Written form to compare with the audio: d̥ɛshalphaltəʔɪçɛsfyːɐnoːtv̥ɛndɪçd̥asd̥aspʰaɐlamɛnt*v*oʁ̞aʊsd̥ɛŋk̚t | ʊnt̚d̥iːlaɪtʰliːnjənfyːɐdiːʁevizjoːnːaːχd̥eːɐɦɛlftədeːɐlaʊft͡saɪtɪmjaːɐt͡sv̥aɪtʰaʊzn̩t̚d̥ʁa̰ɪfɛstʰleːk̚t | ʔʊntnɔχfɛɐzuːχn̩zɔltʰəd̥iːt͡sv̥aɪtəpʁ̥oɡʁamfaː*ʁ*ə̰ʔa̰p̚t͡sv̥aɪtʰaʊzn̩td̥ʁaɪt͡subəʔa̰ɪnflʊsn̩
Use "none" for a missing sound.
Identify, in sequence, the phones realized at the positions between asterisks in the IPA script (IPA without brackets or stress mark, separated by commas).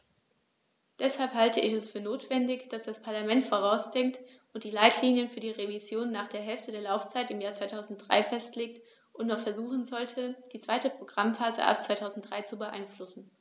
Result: f, z